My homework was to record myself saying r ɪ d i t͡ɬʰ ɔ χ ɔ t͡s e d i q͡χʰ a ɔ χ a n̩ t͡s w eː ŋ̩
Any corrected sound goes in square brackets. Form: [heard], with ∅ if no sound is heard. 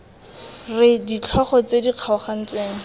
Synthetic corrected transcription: r ɪ d i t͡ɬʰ ɔ χ ɔ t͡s e d i q͡χʰ a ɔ χ a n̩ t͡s w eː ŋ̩